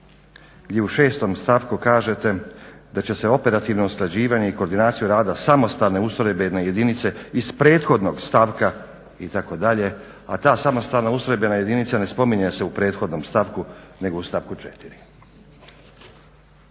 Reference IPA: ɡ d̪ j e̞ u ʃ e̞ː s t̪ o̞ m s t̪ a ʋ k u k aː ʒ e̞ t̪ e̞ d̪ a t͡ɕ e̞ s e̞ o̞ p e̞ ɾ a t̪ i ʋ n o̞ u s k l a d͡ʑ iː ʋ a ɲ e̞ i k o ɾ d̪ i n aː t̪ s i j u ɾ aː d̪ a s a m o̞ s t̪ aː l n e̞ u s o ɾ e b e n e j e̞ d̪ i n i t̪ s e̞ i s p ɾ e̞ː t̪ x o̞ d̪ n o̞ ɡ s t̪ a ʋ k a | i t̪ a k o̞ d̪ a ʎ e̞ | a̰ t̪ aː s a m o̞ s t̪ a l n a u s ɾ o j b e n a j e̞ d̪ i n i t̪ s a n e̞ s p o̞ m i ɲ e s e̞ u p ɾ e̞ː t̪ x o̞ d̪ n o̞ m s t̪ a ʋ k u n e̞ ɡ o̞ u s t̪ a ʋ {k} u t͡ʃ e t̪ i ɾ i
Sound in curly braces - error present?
no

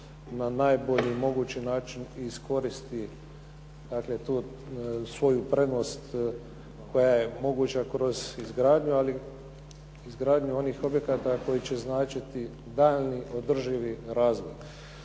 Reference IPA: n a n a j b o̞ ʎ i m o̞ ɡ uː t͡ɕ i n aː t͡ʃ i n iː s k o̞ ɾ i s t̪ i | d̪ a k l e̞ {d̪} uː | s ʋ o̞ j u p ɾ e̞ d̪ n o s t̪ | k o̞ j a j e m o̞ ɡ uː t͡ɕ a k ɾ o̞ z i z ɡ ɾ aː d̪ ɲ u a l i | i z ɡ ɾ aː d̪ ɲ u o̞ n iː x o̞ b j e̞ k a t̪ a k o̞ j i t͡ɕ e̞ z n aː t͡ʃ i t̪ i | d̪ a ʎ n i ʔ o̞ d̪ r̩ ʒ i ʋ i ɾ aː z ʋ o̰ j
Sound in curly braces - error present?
yes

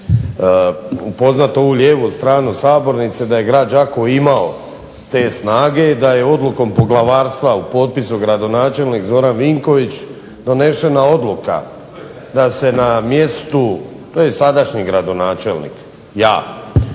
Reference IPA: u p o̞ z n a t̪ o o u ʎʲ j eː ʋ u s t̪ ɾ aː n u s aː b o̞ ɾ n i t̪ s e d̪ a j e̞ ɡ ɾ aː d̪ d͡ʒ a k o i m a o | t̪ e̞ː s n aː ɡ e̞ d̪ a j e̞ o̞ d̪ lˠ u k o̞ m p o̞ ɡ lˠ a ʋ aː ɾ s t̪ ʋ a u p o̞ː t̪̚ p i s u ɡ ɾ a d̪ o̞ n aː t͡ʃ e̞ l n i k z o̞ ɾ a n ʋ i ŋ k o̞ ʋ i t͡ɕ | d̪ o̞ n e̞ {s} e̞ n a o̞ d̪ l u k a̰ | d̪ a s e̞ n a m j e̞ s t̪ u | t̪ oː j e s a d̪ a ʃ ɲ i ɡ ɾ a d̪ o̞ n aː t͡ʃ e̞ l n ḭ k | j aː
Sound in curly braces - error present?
yes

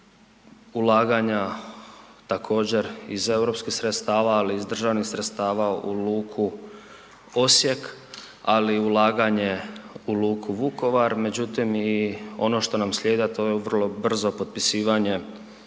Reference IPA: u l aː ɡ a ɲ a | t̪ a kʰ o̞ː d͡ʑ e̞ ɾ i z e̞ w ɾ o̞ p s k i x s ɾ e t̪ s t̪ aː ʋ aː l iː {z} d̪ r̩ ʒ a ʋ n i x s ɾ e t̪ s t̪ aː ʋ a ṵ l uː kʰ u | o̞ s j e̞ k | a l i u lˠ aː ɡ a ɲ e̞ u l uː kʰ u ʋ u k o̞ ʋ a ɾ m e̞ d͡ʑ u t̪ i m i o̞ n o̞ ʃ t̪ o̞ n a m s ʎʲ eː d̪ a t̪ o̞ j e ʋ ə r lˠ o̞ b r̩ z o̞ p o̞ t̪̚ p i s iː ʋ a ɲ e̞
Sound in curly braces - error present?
no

